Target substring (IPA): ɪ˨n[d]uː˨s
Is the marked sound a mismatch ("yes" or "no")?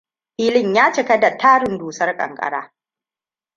no